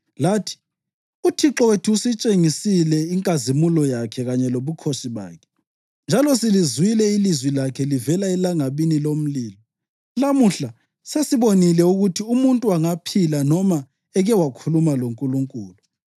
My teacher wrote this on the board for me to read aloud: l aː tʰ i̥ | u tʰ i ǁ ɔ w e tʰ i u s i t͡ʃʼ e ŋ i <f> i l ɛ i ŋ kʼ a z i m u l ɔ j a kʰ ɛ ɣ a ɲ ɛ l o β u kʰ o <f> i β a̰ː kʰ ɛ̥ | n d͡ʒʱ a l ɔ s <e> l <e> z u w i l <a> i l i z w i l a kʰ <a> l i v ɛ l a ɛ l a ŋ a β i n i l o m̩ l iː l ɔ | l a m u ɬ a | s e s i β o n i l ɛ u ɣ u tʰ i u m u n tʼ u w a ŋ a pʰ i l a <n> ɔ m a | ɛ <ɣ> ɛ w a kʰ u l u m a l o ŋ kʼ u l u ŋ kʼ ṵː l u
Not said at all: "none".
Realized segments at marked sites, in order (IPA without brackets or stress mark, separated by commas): s, ʃ, i, i, ɛ, ɛ, n, ɣ